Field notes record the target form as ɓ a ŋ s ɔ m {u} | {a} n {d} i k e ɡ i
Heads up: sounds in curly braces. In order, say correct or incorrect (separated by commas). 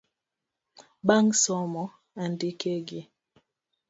incorrect, correct, correct